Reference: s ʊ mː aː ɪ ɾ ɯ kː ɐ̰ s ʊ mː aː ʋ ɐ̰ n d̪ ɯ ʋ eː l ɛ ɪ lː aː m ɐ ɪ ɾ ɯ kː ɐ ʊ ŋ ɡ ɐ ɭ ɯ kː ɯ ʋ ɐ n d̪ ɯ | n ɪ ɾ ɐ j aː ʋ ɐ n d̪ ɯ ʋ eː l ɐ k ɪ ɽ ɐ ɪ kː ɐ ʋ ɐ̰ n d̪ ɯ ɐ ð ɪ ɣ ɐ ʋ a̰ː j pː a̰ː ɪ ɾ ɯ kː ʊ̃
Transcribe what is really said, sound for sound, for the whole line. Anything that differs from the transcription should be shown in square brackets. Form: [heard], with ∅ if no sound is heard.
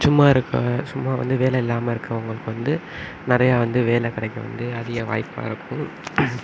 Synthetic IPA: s ʊ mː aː ɪ ɾ ɯ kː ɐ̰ s ʊ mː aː ʋ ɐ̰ n d̪ ɯ ʋ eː l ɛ ɪ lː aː m ɐ ɪ ɾ ɯ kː ɐ ʊ ŋ ɡ ɐ ɭ ɯ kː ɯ ʋ ɐ n d̪ ɯ | n ɪ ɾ ɐ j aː ʋ ɐ n d̪ ɯ ʋ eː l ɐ k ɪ ɽ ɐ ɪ kː ɐ ʋ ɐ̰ n d̪ ɯ ɐ ð ɪ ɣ ɐ ʋ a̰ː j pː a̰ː ɪ ɾ ɯ kː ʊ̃